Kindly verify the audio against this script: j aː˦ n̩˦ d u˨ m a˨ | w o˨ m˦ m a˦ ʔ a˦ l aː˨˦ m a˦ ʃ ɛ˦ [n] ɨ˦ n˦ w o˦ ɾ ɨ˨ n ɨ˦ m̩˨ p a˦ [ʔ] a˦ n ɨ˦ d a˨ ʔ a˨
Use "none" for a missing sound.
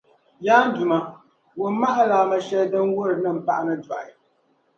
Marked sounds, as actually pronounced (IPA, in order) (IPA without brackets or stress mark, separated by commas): d, ʔ